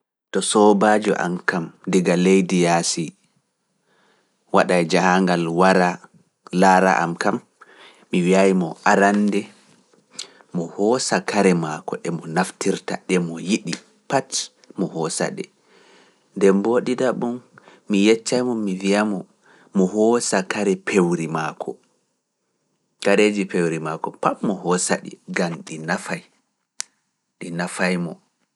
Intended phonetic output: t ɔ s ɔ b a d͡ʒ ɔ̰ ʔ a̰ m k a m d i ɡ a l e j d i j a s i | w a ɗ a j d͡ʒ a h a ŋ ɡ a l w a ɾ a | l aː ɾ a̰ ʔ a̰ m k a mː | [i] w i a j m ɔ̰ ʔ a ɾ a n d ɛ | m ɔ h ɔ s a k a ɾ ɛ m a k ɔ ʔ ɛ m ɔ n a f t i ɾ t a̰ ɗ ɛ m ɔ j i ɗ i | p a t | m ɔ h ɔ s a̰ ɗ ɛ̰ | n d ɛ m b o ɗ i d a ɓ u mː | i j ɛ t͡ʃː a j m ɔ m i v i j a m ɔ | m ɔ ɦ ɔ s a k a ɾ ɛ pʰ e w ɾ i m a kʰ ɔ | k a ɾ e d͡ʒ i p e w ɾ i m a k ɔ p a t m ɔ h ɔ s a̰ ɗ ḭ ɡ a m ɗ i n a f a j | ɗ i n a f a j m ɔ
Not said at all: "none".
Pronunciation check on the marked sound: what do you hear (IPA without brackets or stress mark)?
i